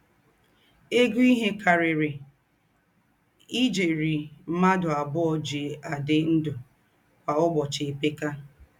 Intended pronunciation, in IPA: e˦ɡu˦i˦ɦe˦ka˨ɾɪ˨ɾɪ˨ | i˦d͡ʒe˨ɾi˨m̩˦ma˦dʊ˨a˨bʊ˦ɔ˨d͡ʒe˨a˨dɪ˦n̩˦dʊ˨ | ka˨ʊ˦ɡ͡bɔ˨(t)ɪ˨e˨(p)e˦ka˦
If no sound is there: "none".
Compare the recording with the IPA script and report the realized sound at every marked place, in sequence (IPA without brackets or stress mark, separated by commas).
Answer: t͡ʃ, p